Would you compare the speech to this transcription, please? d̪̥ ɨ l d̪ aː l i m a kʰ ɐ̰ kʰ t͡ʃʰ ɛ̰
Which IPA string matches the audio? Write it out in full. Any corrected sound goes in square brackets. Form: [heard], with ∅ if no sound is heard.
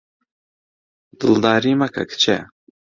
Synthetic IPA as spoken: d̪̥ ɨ l d̪ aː [ɾ] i m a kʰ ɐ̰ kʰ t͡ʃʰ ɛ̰